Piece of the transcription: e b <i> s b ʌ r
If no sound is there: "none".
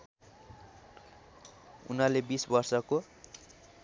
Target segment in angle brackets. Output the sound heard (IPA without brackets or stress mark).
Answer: i